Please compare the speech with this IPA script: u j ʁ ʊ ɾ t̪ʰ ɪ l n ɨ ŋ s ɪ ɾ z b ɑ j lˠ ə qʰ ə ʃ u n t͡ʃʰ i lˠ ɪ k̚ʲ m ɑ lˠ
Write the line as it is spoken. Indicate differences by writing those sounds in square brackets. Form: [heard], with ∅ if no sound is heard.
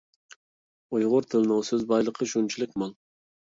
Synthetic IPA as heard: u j ʁ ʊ ɾ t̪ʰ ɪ l n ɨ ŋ s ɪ [∅] z b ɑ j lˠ ə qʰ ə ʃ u n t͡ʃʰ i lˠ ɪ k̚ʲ m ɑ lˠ